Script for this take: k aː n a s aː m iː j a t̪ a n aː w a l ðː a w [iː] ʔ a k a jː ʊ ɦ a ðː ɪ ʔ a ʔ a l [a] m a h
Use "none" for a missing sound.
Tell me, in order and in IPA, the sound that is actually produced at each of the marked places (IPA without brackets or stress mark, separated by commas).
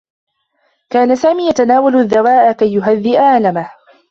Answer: aː, a